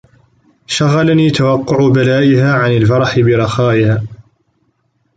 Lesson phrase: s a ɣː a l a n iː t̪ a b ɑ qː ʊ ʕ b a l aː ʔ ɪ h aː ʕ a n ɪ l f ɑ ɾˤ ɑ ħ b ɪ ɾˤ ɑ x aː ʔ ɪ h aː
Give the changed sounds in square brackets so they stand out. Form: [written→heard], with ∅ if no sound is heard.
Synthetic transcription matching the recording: [s→ʃ] a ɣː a l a n iː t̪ a [b→w] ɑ qː ʊ ʕ b a l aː ʔ ɪ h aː ʕ a n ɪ l f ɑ ɾˤ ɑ ħ b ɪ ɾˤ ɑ x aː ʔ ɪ h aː